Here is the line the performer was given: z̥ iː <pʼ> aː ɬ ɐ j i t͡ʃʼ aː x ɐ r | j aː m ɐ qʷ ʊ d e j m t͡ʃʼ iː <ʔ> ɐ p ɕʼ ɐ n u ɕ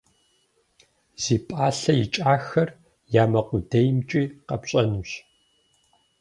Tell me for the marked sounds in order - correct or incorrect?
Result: correct, incorrect

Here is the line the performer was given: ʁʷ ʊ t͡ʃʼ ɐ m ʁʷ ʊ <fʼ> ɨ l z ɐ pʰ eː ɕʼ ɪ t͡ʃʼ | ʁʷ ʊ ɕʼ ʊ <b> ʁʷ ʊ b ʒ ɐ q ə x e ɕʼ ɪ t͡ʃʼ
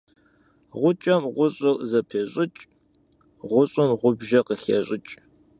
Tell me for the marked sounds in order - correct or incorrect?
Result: incorrect, incorrect

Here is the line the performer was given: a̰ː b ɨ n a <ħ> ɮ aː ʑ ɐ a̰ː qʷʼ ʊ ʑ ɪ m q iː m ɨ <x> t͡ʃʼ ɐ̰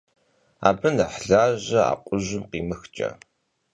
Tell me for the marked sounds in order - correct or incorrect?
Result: correct, correct

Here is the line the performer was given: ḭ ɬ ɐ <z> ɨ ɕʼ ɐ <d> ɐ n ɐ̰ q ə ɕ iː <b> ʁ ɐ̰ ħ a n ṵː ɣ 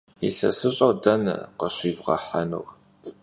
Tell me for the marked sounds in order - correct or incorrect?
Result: incorrect, correct, incorrect

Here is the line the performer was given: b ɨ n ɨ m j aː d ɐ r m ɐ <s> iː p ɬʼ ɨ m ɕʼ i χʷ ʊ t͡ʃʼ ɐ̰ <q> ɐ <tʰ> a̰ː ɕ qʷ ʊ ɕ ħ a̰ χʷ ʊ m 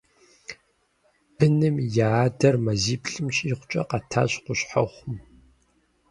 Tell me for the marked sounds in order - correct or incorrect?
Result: incorrect, correct, correct

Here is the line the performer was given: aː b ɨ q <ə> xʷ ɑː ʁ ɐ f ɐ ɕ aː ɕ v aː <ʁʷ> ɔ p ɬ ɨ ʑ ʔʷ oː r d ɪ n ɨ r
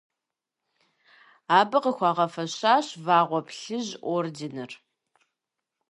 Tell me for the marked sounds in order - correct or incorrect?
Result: correct, correct

